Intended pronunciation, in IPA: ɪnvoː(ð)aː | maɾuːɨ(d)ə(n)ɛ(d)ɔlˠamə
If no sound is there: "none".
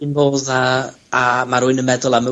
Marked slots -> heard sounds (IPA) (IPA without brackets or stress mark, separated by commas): ð, n, m, d